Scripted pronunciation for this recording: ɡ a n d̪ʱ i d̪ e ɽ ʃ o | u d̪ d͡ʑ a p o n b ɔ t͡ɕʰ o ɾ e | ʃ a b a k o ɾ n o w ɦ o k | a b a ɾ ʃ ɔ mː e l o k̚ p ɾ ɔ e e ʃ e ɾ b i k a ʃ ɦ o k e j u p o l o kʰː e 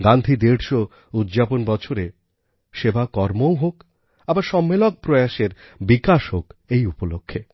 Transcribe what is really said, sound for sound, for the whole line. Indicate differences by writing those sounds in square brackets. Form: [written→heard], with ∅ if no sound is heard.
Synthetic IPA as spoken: ɡ a n d̪ʱ i d̪ e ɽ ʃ o | u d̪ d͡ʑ a p o n b ɔ t͡ɕʰ o ɾ e | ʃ [a→e] b a k [o→ɔ] ɾ [n→m] o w ɦ o k | a b a ɾ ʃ ɔ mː e l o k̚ p ɾ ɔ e [e→a] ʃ e ɾ b i k a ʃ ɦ o k e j u p o l o kʰː e